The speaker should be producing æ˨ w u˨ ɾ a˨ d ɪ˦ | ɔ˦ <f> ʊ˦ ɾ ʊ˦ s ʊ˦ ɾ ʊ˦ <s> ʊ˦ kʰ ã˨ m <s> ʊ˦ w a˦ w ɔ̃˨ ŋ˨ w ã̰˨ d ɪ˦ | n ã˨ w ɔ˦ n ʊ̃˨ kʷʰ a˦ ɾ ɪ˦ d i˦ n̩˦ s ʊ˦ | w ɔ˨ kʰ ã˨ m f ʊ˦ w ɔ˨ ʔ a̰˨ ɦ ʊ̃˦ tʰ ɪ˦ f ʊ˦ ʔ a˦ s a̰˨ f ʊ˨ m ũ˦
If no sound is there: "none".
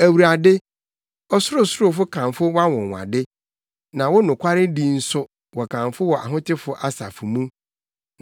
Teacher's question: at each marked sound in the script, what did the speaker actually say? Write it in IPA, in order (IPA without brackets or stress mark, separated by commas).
s, f, f